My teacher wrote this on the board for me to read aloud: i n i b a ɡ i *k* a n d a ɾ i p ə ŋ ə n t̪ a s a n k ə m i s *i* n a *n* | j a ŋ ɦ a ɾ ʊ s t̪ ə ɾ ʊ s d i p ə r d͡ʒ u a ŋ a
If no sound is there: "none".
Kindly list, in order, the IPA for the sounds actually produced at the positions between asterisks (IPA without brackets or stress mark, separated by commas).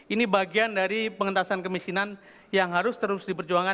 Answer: none, i, n